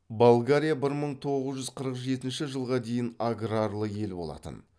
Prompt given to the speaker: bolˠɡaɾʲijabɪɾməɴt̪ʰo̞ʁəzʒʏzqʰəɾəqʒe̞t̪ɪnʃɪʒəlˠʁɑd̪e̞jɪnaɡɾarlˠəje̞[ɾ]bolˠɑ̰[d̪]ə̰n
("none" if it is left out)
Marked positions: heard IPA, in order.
l, t̪

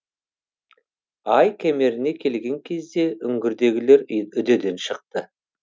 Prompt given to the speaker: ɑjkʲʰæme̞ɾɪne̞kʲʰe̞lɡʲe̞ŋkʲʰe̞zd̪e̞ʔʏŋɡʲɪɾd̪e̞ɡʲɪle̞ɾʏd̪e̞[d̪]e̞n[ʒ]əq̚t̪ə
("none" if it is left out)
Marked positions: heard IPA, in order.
d̪, ʃ

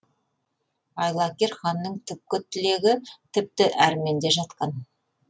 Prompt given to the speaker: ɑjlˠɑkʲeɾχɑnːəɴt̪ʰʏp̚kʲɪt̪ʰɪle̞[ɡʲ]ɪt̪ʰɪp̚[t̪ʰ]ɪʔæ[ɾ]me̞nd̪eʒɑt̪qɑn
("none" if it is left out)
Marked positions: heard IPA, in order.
ɡʲ, t̪, ɾ

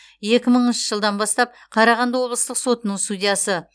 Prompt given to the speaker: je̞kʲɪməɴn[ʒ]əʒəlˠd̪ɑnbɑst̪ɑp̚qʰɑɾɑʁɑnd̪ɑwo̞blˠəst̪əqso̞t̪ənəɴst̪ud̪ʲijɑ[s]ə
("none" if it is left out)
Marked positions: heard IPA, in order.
ʃ, s

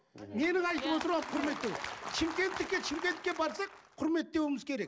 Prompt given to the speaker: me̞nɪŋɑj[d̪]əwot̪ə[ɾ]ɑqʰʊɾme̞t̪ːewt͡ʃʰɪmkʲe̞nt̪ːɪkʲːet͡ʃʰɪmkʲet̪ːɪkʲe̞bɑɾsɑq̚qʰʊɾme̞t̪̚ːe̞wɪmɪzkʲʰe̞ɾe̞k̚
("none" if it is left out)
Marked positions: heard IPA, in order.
t̪, ɾ

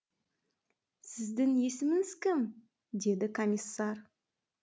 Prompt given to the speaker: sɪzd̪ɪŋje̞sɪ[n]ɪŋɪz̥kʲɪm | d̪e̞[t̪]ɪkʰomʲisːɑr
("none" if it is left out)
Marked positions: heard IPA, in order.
m, d̪

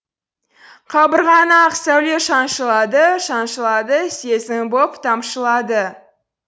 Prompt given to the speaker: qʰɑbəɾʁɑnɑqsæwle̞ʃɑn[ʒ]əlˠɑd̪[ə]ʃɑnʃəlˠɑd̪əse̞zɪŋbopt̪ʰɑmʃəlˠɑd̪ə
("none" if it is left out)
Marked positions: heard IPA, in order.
ʃ, ə

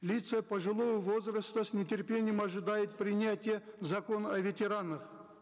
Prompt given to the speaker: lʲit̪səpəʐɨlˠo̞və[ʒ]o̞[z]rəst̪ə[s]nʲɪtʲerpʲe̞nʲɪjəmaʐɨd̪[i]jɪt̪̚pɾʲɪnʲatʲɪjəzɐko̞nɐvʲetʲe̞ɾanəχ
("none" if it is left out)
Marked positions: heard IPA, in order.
v, z, s, a

